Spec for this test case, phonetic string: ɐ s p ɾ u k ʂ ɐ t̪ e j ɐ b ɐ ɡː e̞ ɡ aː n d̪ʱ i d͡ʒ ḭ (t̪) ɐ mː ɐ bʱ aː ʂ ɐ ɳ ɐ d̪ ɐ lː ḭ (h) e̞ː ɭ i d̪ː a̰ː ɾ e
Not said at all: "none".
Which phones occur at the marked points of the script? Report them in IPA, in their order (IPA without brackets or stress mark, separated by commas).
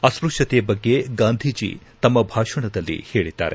t̪, h